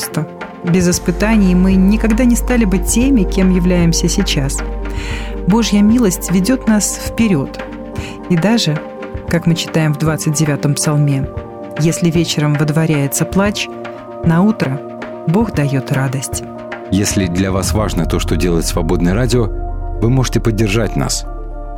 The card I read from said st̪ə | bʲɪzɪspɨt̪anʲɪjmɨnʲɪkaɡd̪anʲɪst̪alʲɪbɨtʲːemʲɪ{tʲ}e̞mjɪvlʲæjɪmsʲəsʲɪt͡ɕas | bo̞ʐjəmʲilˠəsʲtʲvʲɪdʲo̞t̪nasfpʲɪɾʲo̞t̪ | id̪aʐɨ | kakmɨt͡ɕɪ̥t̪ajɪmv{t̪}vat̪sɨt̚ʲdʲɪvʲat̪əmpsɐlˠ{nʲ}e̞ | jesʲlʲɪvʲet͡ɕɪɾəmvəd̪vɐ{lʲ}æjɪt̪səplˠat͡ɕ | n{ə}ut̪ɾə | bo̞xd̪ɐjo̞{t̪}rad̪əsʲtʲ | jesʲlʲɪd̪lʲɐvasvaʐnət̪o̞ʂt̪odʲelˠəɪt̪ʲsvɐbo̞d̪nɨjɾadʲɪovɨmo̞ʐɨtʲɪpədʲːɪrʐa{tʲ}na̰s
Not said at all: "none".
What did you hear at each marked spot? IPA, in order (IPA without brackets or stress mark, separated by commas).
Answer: kʲ, d̪, mʲ, ɾʲ, ɐ, t̪, tʲ